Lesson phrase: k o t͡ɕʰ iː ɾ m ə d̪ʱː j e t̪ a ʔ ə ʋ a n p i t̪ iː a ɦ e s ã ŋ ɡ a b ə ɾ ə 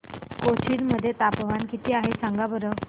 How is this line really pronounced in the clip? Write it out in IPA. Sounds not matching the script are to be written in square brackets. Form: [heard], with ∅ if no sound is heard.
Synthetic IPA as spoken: k o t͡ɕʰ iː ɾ m ə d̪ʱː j e t̪ a [p] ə ʋ a n [k] i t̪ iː a ɦ e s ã ŋ ɡ a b ə ɾ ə